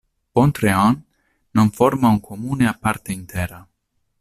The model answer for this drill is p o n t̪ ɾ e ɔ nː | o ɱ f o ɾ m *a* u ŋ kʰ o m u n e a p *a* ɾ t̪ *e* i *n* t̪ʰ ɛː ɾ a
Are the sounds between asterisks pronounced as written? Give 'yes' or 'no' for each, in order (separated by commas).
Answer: yes, yes, yes, yes